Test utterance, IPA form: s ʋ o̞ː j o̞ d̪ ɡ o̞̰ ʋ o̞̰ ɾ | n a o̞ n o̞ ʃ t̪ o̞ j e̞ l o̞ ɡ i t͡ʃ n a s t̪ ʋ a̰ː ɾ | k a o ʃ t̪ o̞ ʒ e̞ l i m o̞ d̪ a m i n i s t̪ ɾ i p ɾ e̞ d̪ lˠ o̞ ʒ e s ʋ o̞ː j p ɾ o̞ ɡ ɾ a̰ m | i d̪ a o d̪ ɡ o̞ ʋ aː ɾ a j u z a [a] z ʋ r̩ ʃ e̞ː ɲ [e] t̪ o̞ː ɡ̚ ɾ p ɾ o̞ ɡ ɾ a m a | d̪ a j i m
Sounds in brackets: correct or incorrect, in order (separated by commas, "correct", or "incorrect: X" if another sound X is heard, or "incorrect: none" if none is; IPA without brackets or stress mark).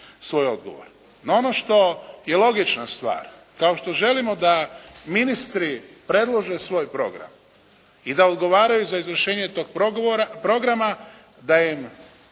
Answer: incorrect: i, correct